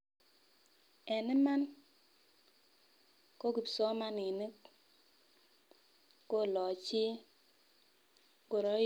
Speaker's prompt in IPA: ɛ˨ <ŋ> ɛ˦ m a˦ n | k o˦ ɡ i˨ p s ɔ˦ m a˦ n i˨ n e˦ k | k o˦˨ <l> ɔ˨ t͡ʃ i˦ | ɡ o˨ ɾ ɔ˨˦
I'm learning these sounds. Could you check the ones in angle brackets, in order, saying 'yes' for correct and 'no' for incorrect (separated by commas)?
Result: no, yes